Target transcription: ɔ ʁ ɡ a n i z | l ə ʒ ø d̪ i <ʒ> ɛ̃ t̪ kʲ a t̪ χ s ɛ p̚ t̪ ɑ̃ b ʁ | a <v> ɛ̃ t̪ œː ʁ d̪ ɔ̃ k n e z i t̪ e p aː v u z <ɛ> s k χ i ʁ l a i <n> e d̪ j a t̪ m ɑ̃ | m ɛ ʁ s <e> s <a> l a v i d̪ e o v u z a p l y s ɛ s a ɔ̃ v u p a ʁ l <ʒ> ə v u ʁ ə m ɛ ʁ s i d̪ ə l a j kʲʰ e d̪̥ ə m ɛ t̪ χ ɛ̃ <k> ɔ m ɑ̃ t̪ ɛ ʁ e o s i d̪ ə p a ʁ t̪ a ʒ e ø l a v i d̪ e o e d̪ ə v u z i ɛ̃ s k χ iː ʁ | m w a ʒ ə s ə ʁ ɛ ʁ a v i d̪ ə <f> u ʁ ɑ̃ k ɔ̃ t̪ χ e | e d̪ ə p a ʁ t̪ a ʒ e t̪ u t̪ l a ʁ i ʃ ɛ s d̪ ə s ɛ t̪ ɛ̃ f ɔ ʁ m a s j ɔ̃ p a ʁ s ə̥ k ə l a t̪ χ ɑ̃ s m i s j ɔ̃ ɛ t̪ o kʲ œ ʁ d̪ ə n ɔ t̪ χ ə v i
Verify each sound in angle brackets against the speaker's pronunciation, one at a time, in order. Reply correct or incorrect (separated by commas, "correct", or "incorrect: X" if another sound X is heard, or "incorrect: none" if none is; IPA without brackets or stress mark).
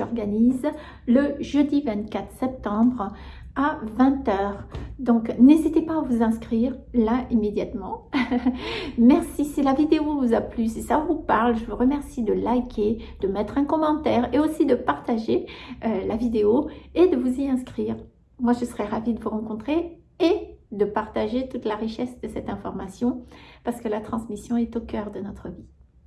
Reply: incorrect: v, correct, incorrect: ɛ̃, incorrect: m, incorrect: i, incorrect: i, correct, correct, incorrect: v